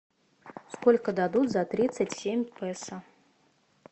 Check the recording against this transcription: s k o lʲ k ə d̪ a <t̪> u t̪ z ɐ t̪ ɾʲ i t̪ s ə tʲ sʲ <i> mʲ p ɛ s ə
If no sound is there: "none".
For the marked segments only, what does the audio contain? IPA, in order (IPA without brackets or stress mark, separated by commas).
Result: d̪, e